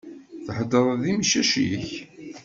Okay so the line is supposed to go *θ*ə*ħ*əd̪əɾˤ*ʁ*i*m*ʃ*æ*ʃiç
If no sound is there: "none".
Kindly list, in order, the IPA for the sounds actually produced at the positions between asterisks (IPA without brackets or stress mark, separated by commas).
θ, ħ, ð, m, æ